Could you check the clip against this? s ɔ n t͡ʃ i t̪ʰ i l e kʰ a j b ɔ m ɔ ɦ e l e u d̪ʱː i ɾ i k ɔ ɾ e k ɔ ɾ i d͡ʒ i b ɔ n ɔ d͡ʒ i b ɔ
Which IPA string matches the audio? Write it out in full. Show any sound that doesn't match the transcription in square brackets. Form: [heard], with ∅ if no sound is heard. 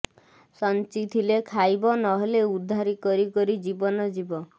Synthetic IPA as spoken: s ɔ n t͡ʃ i t̪ʰ i l e kʰ a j b ɔ [n] ɔ ɦ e l e u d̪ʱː [a] ɾ i k ɔ ɾ [i] k ɔ ɾ i d͡ʒ i b ɔ n ɔ d͡ʒ i b ɔ

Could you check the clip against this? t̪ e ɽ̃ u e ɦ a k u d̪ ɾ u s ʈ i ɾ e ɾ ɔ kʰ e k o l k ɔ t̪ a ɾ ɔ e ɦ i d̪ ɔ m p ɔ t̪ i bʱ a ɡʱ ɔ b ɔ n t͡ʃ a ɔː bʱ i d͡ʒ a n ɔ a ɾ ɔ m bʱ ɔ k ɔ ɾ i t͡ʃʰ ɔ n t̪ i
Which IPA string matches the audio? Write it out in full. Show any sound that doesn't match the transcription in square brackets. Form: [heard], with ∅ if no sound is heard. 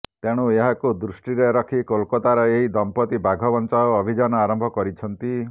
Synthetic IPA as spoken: t̪ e ɽ̃ u e ɦ a k u d̪ ɾ u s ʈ i ɾ e ɾ ɔ kʰ [i] k o l k ɔ t̪ a ɾ ɔ e ɦ i d̪ ɔ m p ɔ t̪ i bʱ a ɡʱ ɔ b ɔ n t͡ʃ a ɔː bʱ i d͡ʒ a n ɔ a ɾ ɔ m bʱ ɔ k ɔ ɾ i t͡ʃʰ ɔ n t̪ i

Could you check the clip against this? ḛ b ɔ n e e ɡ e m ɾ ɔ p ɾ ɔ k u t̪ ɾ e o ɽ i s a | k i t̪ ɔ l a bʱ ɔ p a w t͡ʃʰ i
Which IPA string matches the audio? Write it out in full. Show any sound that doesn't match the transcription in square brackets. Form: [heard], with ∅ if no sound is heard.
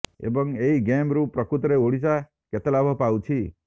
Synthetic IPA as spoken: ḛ b ɔ [ŋ] e [i] ɡ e m ɾ [u] p ɾ ɔ k u t̪ ɾ e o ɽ i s a | k [e] t̪ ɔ l a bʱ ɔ p a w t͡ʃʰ i

